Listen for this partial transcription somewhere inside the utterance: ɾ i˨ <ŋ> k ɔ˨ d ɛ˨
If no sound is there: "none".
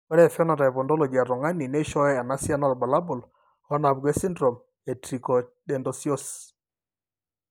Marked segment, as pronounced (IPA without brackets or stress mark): none